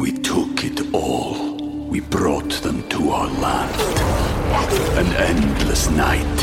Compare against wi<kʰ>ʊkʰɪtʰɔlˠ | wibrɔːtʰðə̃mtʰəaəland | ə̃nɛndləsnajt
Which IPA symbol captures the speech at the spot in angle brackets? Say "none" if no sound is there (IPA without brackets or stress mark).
tʰ